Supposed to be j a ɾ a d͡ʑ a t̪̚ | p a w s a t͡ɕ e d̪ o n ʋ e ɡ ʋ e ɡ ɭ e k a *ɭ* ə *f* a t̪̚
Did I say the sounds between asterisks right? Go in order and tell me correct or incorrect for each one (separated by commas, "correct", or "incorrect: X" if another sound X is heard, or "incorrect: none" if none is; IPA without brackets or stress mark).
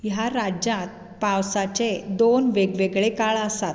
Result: correct, incorrect: s